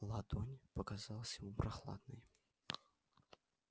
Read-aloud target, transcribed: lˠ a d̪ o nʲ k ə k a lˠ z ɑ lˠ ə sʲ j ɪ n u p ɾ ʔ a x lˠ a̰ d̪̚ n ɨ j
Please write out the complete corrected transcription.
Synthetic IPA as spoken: lˠ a d̪ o nʲ p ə k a z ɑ lˠ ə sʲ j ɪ m u p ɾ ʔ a x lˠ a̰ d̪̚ n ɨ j